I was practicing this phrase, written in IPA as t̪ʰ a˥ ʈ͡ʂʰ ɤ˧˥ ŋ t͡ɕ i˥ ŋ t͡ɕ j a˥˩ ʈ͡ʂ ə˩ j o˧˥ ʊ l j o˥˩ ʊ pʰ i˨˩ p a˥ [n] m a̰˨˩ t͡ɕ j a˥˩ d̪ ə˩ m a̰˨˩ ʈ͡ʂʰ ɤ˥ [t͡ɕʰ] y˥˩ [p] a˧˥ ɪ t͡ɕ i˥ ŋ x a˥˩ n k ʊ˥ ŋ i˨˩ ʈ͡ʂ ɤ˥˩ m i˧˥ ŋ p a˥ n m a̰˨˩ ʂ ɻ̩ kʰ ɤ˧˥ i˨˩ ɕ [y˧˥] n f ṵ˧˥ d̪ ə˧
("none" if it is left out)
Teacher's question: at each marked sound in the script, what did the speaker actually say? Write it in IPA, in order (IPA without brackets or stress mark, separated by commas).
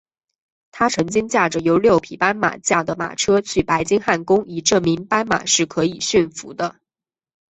n, t͡ɕʰ, p, y˥˩